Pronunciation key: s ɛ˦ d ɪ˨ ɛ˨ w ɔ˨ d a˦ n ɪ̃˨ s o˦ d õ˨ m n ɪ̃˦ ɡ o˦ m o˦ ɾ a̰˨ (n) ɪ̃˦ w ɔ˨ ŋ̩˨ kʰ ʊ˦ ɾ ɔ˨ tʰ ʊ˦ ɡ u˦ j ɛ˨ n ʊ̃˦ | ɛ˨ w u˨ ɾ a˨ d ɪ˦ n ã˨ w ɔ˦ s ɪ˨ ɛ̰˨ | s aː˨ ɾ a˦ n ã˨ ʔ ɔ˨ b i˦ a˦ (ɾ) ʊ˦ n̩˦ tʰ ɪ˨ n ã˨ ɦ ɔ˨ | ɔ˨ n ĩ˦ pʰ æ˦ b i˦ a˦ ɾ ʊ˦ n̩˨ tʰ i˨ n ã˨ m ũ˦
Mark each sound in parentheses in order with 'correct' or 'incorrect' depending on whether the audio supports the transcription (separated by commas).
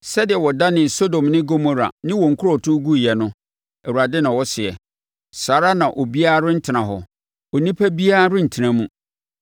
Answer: correct, correct